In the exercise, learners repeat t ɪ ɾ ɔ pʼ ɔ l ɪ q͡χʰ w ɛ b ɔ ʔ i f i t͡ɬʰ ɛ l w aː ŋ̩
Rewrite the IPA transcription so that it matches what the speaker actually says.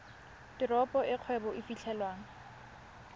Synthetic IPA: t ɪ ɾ ɔ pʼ ɔ ɪ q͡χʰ w ɛ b ɔ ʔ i f i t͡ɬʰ ɛ l w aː ŋ̩